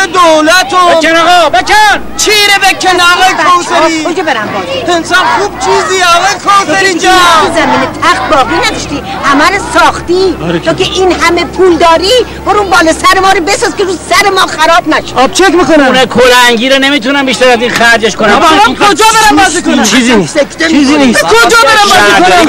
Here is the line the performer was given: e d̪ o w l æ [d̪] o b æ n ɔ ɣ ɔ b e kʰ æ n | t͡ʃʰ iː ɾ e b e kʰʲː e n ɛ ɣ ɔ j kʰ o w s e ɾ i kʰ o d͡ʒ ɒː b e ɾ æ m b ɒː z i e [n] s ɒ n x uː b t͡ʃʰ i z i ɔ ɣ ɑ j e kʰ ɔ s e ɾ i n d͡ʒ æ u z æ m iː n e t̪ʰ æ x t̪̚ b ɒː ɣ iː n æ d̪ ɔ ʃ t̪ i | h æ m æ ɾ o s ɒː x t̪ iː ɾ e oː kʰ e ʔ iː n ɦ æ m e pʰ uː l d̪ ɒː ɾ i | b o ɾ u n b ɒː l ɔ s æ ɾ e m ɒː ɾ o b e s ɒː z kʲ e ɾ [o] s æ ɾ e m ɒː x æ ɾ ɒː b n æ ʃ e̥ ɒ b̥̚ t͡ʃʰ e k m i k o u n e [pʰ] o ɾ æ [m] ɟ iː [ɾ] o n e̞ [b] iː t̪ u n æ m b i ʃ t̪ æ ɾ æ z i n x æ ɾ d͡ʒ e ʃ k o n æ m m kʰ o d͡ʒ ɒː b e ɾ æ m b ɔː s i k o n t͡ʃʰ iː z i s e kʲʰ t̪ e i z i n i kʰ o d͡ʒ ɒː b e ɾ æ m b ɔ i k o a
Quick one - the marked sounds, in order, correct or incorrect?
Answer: incorrect: t̪, correct, incorrect: u, incorrect: kʰ, incorrect: ŋ, correct, incorrect: m

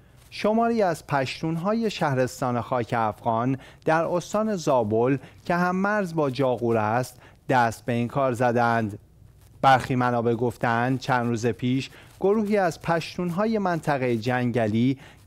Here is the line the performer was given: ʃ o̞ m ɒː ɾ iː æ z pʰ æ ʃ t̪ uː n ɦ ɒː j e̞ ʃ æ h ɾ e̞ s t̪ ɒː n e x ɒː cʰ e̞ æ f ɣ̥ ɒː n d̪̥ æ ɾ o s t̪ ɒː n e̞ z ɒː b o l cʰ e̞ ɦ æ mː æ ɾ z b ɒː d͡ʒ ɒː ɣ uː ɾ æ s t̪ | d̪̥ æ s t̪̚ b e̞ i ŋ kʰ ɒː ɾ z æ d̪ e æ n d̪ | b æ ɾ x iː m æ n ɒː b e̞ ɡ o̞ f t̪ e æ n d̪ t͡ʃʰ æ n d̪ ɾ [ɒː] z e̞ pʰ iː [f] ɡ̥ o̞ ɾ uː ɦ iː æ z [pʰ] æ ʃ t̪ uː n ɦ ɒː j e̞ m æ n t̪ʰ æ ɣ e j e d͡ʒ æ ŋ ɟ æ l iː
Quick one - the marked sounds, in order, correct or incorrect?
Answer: incorrect: uː, incorrect: ʃ, correct

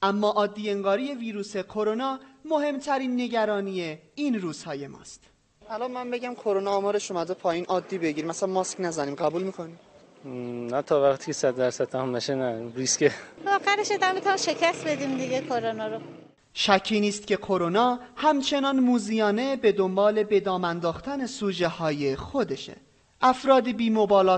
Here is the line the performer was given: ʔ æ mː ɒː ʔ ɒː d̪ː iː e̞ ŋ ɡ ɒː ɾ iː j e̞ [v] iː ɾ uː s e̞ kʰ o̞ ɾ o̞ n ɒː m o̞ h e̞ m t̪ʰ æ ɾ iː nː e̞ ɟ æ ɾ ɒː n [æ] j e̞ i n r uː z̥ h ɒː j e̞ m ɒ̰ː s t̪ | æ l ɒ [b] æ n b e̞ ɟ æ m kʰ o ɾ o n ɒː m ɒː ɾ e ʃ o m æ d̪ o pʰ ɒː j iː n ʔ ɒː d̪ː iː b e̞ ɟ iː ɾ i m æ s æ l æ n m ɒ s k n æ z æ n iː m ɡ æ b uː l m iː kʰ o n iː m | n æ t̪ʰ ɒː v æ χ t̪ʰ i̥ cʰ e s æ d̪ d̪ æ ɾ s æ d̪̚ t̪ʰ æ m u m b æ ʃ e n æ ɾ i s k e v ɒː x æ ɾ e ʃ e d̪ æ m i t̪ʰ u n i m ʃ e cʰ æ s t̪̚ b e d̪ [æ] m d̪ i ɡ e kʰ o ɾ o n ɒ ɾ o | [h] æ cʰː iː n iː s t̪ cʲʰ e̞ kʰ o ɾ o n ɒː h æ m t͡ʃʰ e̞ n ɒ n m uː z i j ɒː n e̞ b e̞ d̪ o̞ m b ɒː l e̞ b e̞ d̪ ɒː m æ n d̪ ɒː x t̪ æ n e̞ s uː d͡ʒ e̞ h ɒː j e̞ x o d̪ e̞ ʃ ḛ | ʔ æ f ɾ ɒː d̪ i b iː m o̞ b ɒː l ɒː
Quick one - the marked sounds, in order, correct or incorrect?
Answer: correct, incorrect: i, incorrect: m, incorrect: i, incorrect: ʃ

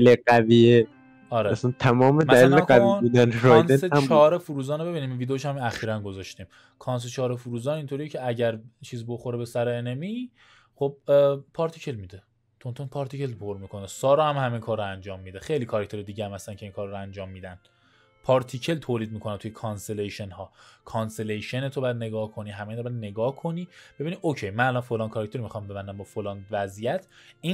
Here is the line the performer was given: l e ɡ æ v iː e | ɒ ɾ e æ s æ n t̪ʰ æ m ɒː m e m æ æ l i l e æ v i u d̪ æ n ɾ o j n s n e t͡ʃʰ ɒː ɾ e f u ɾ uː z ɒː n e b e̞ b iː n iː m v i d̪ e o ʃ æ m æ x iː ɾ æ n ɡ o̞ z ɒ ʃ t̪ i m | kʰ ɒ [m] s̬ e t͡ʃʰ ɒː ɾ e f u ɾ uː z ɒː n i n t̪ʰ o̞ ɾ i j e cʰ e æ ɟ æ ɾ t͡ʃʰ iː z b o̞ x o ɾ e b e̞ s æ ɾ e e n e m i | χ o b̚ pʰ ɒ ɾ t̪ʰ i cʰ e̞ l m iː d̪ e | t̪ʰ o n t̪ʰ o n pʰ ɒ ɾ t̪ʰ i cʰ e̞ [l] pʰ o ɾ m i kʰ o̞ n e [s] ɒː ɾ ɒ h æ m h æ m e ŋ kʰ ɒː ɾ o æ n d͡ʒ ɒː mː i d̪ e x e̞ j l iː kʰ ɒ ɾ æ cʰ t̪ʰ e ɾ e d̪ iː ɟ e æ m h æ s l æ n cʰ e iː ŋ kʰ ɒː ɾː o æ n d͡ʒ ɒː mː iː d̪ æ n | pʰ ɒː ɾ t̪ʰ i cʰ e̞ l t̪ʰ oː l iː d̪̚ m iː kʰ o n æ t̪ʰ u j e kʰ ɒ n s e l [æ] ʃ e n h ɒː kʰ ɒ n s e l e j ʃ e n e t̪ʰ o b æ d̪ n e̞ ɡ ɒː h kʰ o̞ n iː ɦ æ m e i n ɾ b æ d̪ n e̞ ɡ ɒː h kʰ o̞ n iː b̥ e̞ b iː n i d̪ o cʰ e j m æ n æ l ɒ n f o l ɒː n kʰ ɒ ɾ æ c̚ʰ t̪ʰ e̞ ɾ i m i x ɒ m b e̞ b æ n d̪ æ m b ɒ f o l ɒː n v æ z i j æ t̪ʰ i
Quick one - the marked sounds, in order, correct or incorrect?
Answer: incorrect: n, correct, correct, incorrect: e

